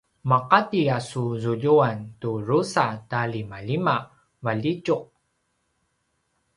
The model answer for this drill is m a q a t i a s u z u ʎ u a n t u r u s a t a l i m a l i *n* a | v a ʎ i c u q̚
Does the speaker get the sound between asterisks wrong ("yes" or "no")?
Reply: yes